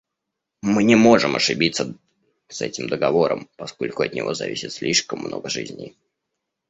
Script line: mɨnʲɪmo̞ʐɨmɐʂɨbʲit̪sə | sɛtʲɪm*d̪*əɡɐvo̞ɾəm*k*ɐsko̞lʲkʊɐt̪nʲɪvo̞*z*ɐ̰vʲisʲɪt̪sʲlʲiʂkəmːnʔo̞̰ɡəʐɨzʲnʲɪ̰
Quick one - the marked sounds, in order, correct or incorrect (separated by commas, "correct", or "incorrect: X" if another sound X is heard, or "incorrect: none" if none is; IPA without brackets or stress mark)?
correct, incorrect: p, correct